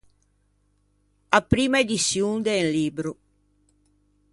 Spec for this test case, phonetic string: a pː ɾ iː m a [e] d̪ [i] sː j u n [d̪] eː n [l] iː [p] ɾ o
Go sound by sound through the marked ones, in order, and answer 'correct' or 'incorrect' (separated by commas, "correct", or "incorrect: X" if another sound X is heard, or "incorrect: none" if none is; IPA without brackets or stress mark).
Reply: correct, correct, correct, correct, incorrect: b